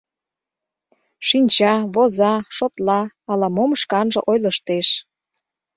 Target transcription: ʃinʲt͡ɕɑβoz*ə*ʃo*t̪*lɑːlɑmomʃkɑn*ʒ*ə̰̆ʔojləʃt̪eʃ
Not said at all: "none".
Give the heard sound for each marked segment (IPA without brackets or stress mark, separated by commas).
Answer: ɑ, t̪, ʒ